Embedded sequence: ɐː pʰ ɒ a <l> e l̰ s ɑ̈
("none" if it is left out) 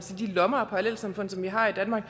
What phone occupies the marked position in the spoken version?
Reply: l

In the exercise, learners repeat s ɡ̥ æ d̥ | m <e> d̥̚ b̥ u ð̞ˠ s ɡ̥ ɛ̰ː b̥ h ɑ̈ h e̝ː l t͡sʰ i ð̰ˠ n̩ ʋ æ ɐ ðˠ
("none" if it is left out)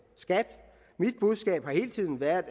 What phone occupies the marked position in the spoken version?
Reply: i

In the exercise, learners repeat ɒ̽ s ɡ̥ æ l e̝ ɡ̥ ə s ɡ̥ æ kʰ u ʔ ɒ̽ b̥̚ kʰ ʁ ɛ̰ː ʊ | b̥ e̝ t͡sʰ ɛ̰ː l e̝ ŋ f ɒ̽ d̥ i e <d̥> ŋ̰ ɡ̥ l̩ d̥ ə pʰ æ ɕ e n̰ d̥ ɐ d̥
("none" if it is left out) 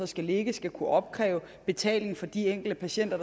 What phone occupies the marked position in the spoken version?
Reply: none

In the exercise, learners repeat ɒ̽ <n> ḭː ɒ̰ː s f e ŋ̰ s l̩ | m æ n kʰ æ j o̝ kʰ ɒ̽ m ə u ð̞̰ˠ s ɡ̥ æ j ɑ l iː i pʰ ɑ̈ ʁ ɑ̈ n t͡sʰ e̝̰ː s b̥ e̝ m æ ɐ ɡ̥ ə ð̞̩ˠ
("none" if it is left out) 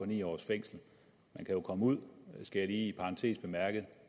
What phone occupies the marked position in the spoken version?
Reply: n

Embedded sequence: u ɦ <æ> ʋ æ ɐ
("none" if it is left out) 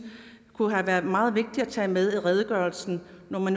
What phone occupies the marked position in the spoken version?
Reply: æ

